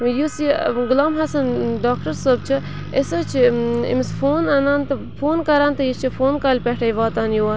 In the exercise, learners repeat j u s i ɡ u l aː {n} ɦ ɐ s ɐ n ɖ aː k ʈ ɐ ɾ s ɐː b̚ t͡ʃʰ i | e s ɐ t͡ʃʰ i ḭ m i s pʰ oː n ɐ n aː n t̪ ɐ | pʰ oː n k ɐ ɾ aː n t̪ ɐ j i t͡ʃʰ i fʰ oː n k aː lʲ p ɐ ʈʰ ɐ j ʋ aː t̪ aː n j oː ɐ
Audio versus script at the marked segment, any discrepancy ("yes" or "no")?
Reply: yes